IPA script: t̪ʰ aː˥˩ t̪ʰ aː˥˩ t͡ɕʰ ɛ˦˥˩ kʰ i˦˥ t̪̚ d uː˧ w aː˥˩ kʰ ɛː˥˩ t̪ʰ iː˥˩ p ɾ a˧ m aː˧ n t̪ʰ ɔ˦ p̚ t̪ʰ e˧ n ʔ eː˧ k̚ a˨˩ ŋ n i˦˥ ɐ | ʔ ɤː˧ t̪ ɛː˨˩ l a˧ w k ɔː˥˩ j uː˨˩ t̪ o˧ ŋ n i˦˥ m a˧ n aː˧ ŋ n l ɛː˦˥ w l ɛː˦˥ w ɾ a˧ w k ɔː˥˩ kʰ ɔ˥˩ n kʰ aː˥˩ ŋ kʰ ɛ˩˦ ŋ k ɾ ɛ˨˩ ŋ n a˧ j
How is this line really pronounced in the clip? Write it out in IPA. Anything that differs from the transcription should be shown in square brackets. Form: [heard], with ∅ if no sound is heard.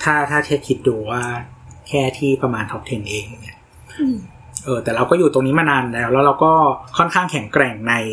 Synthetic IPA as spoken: t̪ʰ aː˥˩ t̪ʰ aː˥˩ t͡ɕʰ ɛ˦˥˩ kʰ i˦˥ t̪̚ d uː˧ w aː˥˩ kʰ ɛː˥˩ t̪ʰ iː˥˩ p ɾ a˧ m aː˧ n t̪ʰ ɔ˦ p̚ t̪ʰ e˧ n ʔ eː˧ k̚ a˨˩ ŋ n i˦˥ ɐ | ʔ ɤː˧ t̪ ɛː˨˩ [ɾ] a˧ w k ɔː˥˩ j uː˨˩ t̪ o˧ ŋ n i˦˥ m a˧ n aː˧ [∅] n l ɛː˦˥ w l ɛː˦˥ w ɾ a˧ w k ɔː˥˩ kʰ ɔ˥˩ n kʰ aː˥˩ ŋ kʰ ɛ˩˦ ŋ k ɾ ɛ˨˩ ŋ n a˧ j